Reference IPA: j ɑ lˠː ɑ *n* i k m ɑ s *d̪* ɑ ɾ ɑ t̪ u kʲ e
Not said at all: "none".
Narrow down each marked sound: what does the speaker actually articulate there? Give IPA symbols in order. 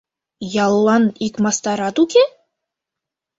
n, t̪

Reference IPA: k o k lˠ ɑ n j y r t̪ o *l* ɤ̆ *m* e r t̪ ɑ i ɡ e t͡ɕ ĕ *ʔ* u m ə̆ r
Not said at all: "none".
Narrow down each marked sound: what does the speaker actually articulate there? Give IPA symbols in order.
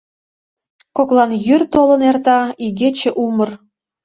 l, n, ʔ

